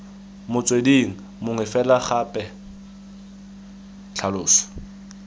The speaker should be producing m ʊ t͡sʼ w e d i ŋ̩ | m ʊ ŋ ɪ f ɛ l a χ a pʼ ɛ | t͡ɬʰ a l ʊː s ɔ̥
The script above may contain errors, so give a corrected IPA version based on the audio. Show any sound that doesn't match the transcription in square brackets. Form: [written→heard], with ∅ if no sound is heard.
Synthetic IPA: m ʊ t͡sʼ w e d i ŋ̩ | m ʊ ŋ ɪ f ɛ l a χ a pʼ ɛ | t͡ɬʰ a l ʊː s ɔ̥